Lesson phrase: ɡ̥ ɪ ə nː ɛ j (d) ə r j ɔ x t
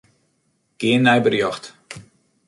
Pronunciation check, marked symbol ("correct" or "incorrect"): incorrect